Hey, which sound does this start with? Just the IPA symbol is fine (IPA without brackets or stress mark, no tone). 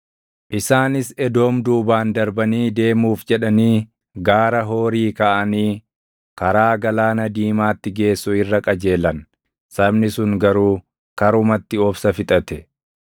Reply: ʔ